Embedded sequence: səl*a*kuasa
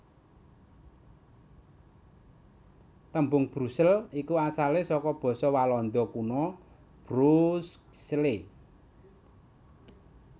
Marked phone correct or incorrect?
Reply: incorrect: i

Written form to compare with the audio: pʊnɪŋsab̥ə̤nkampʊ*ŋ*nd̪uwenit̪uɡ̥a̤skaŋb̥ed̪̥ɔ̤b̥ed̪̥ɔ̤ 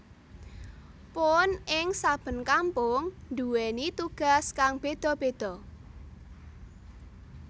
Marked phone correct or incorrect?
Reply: correct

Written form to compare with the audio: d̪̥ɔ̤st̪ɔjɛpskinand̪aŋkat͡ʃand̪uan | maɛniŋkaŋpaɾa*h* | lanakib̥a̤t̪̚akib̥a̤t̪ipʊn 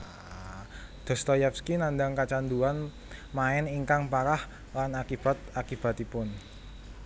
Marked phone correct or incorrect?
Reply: correct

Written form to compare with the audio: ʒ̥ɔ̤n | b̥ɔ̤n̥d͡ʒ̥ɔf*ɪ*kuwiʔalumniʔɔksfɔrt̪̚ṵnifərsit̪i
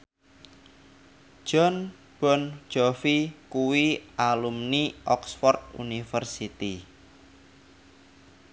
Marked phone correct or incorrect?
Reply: incorrect: i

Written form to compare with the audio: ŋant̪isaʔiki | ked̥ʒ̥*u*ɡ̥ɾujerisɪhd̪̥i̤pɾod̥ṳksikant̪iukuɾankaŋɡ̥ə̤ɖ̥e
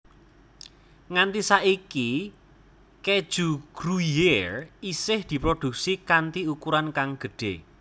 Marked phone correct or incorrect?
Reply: correct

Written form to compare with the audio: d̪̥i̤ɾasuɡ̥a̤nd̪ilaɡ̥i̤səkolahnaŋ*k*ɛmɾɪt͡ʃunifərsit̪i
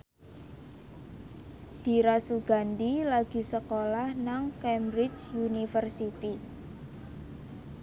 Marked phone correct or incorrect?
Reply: correct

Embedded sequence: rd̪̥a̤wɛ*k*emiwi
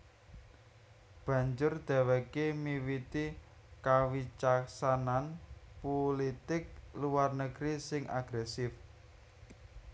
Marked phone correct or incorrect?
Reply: correct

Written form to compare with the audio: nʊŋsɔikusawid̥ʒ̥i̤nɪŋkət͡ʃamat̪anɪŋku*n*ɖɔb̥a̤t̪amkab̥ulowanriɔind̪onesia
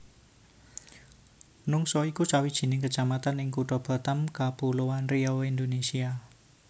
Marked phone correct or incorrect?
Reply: incorrect: none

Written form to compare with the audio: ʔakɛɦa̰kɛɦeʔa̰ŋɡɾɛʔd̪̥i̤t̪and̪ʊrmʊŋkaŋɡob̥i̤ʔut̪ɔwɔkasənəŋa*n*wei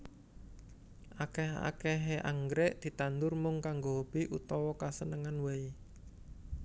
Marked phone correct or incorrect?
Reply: correct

